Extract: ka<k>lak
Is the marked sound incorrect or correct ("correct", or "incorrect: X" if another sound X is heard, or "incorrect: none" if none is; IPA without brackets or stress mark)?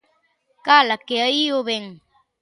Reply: incorrect: none